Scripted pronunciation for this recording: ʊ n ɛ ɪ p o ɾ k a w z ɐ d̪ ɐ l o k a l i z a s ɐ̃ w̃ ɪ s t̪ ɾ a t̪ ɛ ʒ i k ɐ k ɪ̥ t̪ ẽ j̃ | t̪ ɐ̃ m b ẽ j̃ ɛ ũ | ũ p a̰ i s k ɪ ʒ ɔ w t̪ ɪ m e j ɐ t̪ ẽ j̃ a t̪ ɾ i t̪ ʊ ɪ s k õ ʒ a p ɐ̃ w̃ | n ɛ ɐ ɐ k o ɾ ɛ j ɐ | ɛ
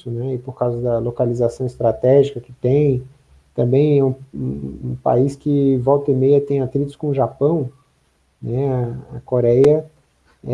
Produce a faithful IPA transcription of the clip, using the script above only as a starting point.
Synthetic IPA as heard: ʊ n ɛ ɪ p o ɾ k a w z ɐ d̪ ɐ l o k a l i z a s ɐ̃ w̃ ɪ s t̪ ɾ a t̪ ɛ ʒ i k ɐ k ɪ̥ t̪ ẽ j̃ | t̪ ɐ̃ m b ẽ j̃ ɛ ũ | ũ p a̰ i s k ɪ v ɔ w t̪ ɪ m e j ɐ t̪ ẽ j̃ a t̪ ɾ i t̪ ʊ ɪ s k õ ʒ a p ɐ̃ w̃ | n ɛ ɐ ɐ k o ɾ ɛ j ɐ | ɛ

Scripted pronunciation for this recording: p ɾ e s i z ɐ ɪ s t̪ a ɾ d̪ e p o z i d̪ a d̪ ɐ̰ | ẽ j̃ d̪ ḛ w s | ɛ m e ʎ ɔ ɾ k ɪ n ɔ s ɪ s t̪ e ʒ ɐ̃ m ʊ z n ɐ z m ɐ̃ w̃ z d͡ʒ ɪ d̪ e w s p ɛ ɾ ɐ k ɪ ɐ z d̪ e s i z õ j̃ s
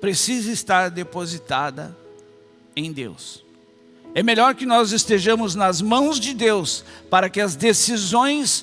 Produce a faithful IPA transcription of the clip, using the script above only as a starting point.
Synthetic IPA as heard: p ɾ e s i z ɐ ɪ s t̪ a ɾ d̪ e p o z i t̪ a d̪ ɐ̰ | ẽ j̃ d̪ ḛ w s | ɛ m e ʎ ɔ ɾ k ɪ n ɔ z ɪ s t̪ e ʒ ɐ̃ m ʊ z n ɐ z m ɐ̃ w̃ z d͡ʒ ɪ d̪ e w s p a ɾ ɐ k ɪ ɐ z d̪ e s i z õ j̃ s

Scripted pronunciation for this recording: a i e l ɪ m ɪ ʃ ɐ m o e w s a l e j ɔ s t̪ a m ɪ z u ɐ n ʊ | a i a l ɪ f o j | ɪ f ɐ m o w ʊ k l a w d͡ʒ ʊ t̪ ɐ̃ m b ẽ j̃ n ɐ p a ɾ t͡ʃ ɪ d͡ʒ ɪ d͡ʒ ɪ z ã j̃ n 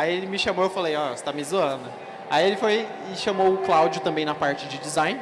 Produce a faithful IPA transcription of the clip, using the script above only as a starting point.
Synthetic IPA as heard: a i e l ɪ m ɪ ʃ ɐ m o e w f a l e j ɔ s t̪ a m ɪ z u ɐ̃ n ʊ | a i e l ɪ f o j | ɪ ʃ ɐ m o w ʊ k l a w d͡ʒ ʊ t̪ ɐ̃ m b ẽ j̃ n ɐ p a ɾ t͡ʃ ɪ d͡ʒ ɪ d͡ʒ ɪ z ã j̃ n

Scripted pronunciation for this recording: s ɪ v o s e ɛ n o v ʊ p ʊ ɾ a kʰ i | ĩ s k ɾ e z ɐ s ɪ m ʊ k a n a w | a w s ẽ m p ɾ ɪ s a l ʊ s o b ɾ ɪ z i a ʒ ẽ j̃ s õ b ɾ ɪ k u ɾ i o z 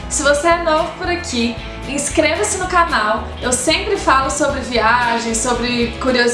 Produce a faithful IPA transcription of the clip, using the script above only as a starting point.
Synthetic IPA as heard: s ɪ v o s e ɛ n o v ʊ p ʊ ɾ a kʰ i | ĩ s k ɾ e v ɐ s ɪ n ʊ k a n a w | e w s ẽ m p ɾ ɪ f a l ʊ s o b ɾ ɪ v i a ʒ ẽ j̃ s o b ɾ ɪ k u ɾ i o z

